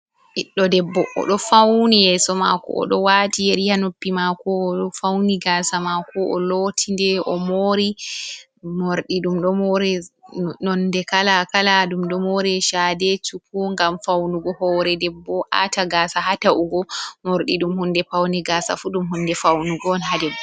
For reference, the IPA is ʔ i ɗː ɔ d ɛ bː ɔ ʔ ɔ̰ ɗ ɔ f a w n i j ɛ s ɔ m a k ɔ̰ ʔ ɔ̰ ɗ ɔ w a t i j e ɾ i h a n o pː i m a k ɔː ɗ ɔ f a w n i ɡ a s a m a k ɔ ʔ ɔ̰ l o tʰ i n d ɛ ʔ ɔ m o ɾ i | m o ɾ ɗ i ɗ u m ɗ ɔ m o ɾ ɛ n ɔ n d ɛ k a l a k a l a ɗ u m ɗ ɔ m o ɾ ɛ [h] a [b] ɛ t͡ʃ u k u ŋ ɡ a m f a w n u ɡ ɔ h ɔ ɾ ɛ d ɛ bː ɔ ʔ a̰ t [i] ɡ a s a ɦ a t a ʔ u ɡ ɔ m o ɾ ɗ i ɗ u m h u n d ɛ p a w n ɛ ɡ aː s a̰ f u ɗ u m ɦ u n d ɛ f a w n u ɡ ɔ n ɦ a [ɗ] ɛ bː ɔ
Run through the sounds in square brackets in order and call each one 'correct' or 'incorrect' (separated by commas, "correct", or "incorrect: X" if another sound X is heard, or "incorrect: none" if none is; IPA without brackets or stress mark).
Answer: incorrect: ʃ, incorrect: d, incorrect: a, incorrect: d